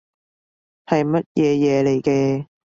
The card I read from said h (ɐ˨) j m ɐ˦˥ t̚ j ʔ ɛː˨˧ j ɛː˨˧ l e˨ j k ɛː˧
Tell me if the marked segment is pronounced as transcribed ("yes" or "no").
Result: yes